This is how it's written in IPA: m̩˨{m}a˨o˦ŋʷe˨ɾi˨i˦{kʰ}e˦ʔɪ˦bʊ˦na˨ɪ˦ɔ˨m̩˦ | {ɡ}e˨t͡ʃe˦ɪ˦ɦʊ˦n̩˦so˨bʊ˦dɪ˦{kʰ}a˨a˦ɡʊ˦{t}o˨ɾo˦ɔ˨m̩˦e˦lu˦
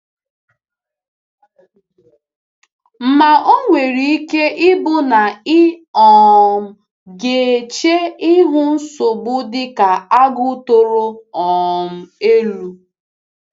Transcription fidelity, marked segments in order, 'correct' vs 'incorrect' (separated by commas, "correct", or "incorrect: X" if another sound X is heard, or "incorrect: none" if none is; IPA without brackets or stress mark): correct, incorrect: k, correct, incorrect: k, correct